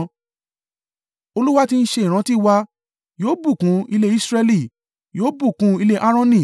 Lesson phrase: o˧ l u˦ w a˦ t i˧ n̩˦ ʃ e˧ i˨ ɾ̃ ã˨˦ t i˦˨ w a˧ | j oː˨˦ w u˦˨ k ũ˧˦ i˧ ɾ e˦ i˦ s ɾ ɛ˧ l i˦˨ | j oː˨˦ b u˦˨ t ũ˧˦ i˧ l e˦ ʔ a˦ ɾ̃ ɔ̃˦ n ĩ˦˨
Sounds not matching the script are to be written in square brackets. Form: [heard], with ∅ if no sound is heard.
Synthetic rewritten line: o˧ l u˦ w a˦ t i˧ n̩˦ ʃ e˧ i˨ ɾ̃ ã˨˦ t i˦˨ w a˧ | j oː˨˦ [b] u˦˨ k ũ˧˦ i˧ [l] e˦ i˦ s ɾ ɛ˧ l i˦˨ | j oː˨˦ b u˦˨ [k] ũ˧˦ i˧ l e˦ ʔ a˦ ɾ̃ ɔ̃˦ n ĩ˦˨